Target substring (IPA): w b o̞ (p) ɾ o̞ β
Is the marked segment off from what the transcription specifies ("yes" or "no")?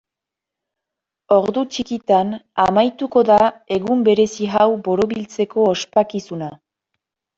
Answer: yes